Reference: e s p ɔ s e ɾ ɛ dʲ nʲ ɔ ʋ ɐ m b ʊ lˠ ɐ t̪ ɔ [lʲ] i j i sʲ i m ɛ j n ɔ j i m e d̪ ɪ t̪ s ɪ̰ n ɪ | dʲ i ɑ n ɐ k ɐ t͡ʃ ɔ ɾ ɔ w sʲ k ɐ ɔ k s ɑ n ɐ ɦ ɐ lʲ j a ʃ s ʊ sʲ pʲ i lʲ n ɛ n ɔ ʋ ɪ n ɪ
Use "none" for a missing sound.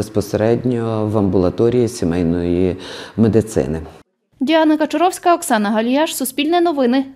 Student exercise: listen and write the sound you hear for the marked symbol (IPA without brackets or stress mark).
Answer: ɾʲ